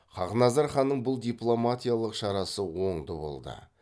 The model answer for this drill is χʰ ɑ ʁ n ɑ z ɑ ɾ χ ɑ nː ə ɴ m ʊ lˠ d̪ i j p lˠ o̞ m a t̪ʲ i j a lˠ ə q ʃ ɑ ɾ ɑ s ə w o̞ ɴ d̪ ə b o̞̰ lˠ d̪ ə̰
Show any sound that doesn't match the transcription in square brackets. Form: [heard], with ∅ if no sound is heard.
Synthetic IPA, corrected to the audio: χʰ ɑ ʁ n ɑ z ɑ ɾ χ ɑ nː ə ɴ [b] ʊ lˠ d̪ i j p lˠ o̞ m a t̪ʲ i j a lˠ ə q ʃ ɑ ɾ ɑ s ə w o̞ ɴ d̪ ə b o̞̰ lˠ d̪ ə̰